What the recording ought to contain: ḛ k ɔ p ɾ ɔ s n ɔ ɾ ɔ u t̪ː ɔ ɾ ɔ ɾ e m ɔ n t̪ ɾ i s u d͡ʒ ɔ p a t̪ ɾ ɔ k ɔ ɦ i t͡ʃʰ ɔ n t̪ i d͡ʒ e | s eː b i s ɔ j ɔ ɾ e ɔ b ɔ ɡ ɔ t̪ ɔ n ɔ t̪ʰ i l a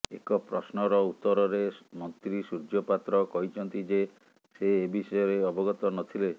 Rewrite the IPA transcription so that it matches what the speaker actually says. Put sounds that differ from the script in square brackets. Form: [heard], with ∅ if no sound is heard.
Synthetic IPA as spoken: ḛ k ɔ p ɾ ɔ s n ɔ ɾ ɔ u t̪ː ɔ ɾ ɔ ɾ e m ɔ n t̪ ɾ i s u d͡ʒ ɔ p a t̪ ɾ ɔ k ɔ ɦ i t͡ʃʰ ɔ n t̪ i d͡ʒ e | s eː b i s ɔ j ɔ ɾ e ɔ b ɔ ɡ ɔ t̪ ɔ n ɔ t̪ʰ i l [e]